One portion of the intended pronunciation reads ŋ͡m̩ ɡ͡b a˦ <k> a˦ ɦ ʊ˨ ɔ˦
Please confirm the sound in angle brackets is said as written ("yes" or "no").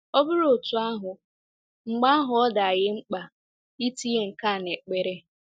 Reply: no